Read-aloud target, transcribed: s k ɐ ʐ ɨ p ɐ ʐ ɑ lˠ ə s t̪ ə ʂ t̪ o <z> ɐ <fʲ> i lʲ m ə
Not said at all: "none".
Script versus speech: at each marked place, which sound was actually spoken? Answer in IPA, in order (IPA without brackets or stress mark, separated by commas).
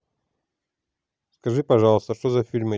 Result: z, fʲ